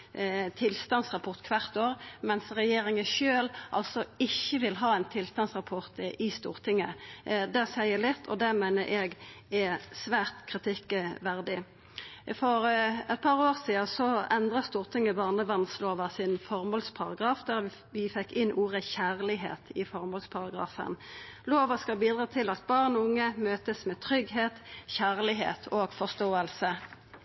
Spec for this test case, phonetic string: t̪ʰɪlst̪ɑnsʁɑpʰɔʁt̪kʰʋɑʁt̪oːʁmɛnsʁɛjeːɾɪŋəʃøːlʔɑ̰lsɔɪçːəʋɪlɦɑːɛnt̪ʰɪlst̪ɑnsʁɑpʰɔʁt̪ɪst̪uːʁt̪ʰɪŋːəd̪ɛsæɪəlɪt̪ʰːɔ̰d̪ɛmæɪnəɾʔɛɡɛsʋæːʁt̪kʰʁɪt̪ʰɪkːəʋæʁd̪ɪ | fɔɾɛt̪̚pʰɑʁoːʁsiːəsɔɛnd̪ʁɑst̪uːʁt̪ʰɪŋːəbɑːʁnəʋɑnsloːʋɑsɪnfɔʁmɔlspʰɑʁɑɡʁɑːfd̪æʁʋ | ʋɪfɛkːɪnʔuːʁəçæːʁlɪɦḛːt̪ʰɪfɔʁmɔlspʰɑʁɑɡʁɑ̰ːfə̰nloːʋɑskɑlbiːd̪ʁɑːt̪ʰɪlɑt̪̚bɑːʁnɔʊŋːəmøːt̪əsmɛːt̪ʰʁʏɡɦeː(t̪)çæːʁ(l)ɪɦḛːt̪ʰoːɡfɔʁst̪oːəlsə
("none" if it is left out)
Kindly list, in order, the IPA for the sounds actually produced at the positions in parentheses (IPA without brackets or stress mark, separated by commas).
t̪, l